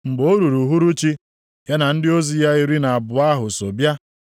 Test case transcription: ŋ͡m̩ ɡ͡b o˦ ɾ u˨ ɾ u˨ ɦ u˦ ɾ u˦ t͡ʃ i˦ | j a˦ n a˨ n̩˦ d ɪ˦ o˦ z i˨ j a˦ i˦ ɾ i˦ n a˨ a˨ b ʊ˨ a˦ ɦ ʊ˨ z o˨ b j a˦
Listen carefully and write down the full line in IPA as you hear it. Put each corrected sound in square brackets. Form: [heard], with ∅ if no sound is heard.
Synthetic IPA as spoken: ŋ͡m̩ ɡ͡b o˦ ɾ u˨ ɾ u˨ ɦ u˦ ɾ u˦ t͡ʃ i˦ | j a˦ n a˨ n̩˦ d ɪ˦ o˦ z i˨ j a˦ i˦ ɾ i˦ n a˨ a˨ b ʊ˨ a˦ ɦ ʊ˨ [s] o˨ b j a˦